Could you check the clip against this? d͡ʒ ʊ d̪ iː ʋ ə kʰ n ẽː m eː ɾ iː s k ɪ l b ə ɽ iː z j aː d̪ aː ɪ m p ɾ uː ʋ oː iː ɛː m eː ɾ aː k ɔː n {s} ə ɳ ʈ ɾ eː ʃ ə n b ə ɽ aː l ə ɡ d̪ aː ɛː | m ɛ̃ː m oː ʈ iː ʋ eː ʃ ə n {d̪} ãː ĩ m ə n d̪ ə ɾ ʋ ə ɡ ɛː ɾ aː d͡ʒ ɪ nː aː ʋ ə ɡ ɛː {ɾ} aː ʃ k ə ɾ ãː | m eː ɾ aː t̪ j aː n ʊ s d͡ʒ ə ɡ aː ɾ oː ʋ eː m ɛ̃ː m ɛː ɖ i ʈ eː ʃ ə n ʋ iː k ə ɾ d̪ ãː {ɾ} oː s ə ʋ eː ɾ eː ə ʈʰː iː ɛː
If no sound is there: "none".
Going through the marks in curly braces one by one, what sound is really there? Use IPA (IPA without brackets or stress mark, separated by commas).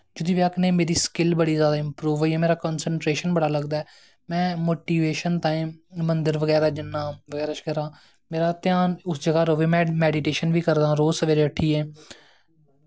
s, t̪, ɾ, ɾ